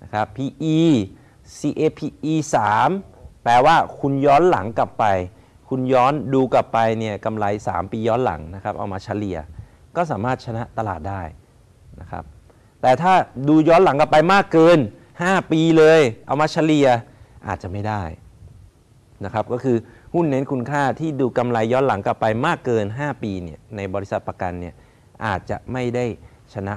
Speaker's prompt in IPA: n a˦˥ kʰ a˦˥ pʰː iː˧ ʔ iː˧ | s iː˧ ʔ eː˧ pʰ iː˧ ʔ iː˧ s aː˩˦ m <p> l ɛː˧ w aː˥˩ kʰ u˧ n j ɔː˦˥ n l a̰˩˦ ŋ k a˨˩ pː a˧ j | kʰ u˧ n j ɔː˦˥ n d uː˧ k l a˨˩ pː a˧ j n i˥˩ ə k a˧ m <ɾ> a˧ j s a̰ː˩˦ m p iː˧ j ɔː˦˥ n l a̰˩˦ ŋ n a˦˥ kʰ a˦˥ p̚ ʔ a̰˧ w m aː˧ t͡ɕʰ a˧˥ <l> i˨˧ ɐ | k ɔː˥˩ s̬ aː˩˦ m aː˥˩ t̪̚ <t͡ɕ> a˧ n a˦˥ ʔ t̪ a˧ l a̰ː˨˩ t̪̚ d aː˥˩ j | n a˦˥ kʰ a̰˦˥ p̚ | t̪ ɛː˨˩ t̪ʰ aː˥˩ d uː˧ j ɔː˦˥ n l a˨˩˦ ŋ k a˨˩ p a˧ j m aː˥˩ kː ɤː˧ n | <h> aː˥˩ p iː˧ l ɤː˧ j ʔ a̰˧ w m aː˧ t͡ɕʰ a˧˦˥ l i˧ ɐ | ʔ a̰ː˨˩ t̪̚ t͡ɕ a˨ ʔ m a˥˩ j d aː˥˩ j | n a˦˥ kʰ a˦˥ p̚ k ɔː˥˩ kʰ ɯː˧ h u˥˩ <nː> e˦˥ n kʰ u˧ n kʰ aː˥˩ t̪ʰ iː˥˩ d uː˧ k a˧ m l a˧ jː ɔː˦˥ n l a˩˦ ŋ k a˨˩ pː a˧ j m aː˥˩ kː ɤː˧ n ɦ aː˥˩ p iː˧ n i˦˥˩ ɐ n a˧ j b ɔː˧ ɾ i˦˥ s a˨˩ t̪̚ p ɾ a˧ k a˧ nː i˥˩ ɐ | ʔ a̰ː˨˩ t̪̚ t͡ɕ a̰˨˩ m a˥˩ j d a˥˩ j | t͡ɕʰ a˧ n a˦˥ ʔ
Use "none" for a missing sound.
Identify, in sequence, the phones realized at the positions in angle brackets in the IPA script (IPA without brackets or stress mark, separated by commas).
p, l, l, t͡ɕʰ, h, nː